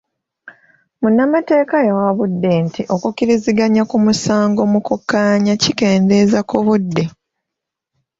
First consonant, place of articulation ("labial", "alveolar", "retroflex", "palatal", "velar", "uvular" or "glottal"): labial